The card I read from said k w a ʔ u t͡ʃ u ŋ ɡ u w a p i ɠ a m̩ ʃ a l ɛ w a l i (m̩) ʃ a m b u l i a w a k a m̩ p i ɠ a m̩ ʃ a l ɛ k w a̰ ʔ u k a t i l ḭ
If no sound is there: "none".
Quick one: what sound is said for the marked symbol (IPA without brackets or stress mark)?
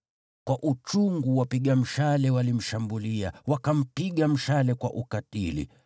m̩